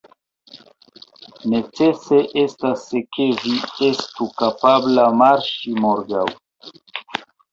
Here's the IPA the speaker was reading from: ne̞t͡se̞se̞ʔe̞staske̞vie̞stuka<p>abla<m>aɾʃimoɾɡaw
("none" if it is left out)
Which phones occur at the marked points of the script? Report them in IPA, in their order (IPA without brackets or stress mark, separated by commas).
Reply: p, m